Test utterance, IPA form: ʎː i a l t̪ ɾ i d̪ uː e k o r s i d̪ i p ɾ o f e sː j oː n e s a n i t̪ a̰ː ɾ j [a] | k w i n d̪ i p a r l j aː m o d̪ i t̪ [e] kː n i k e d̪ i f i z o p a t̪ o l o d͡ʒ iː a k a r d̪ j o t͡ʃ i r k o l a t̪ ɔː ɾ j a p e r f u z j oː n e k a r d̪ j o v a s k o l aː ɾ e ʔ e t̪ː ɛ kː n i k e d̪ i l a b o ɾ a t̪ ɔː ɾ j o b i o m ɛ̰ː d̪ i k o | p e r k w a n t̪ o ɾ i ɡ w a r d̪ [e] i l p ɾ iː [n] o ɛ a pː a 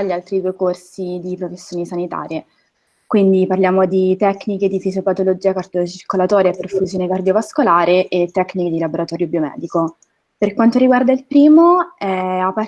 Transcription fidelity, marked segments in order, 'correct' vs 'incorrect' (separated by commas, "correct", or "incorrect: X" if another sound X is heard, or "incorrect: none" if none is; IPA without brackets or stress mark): incorrect: e, incorrect: ɛ, incorrect: a, incorrect: m